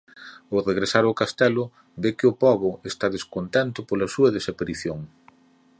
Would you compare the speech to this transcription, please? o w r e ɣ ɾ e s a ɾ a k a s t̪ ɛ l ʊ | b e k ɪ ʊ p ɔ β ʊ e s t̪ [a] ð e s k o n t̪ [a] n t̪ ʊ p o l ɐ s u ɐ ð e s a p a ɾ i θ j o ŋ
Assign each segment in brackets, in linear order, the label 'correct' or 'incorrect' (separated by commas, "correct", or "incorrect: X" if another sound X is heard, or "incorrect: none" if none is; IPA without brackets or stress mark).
correct, incorrect: ɛ